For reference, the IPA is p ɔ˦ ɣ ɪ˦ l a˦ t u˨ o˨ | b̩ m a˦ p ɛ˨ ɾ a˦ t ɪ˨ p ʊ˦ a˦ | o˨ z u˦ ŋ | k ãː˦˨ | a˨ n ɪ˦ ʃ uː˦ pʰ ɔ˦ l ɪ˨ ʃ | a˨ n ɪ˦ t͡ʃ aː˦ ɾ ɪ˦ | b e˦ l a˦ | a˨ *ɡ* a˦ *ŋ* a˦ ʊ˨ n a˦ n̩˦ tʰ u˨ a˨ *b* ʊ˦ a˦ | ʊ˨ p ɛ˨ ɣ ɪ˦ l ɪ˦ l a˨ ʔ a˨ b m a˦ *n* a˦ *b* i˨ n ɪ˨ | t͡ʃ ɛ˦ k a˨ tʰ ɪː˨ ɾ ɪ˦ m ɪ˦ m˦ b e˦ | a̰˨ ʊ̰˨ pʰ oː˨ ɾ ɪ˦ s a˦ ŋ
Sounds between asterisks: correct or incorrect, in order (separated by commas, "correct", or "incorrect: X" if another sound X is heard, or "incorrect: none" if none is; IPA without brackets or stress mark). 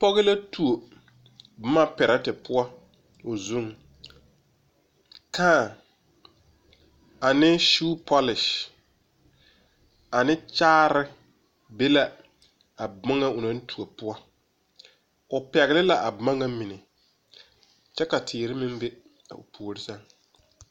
incorrect: b, correct, incorrect: p, incorrect: ŋ, incorrect: m